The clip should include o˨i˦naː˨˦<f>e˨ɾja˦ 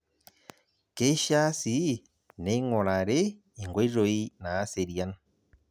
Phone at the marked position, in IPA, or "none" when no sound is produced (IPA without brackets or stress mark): s